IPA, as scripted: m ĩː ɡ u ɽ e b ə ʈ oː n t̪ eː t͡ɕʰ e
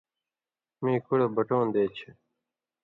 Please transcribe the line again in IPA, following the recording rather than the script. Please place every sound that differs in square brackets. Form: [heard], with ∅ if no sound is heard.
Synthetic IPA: m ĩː [k] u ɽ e b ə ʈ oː n [d̪] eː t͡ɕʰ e

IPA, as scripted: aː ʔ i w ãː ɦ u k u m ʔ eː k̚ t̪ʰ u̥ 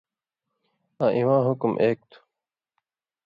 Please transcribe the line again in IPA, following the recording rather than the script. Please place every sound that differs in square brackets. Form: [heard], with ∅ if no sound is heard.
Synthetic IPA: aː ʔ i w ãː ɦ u k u m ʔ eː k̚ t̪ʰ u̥

